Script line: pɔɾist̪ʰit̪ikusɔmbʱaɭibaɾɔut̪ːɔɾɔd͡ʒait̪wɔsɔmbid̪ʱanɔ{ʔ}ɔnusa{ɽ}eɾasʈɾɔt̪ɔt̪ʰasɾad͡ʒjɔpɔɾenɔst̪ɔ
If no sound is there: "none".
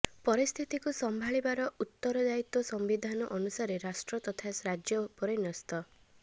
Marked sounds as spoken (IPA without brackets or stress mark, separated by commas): ʔ, ɾ